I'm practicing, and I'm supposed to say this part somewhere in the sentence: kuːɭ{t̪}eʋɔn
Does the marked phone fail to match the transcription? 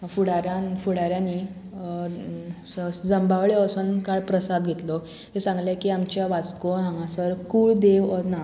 yes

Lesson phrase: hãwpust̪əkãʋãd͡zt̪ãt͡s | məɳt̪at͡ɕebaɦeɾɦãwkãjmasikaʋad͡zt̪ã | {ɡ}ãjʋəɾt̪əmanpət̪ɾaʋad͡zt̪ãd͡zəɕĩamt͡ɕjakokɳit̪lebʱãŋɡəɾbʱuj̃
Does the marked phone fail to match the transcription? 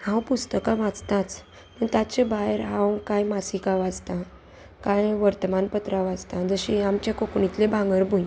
yes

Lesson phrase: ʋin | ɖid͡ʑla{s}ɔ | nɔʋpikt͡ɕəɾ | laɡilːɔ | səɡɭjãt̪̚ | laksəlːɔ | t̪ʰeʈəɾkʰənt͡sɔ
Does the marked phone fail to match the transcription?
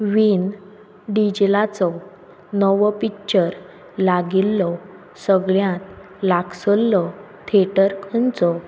yes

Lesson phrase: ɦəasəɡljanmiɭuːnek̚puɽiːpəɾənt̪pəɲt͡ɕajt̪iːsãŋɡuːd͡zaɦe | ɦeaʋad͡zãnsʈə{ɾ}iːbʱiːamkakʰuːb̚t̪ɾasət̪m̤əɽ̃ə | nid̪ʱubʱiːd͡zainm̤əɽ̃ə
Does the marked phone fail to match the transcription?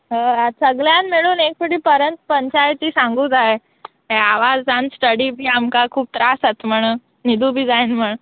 yes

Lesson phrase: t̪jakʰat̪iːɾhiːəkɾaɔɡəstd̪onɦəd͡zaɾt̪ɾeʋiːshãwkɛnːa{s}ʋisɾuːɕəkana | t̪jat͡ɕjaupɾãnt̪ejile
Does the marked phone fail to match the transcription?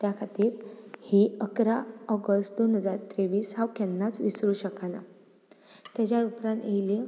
yes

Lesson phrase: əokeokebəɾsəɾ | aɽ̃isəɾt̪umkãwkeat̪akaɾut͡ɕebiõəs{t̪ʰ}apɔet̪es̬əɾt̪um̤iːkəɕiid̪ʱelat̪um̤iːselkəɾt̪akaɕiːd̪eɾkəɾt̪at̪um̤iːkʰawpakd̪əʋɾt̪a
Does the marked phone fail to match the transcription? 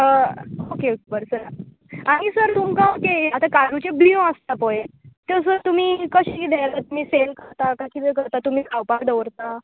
yes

